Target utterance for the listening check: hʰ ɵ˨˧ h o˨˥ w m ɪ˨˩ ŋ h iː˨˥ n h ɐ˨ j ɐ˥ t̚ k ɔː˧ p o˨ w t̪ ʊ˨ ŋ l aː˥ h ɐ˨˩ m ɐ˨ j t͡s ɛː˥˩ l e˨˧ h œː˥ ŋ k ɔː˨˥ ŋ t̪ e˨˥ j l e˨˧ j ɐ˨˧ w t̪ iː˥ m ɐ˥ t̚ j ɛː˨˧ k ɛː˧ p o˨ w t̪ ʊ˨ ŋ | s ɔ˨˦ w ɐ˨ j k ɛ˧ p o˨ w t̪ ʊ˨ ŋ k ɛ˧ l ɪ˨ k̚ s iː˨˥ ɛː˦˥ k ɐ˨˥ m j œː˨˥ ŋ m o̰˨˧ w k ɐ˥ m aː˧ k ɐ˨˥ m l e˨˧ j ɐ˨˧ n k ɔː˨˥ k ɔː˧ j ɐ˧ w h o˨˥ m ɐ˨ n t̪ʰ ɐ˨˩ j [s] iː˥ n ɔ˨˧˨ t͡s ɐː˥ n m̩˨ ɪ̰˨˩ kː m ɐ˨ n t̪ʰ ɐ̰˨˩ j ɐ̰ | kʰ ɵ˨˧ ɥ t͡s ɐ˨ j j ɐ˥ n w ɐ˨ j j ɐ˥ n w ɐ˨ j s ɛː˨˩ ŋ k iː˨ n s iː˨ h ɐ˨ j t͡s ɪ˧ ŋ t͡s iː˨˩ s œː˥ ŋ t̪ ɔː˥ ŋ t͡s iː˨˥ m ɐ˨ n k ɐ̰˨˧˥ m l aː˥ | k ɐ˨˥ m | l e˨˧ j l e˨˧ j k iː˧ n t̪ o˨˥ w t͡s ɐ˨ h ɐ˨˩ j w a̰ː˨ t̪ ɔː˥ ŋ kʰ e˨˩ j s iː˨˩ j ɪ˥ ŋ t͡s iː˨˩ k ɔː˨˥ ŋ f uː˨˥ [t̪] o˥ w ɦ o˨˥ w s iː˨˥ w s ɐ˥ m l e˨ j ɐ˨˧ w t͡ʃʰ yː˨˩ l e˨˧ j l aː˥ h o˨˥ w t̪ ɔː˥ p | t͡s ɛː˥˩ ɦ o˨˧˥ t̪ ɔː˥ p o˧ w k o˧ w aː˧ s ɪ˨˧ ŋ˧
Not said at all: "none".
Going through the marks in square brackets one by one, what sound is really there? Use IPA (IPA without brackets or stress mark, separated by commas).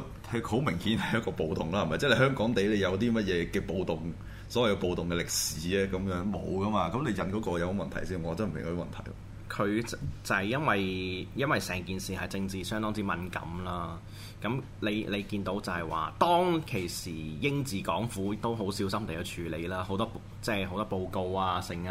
s, t̪